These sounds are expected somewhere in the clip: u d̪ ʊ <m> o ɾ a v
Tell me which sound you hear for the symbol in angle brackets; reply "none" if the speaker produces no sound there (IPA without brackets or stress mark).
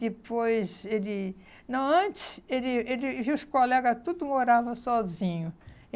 m